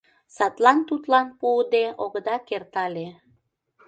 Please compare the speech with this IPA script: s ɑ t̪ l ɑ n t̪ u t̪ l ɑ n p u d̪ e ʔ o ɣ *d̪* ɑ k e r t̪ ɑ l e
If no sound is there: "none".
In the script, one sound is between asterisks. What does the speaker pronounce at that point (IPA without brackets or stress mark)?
d̪